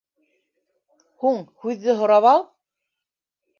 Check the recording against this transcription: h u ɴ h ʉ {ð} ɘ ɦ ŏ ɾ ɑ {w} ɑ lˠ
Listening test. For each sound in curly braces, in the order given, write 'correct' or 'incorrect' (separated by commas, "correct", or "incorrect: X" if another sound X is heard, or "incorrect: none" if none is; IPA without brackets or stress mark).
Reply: incorrect: ðː, incorrect: β